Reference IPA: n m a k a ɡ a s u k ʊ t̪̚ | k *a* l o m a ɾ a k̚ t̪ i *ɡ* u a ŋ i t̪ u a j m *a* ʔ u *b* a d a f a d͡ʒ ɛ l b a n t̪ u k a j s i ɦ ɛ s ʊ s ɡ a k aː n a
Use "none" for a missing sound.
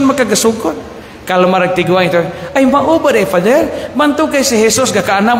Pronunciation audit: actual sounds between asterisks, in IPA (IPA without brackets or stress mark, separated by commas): a, ɡ, a, b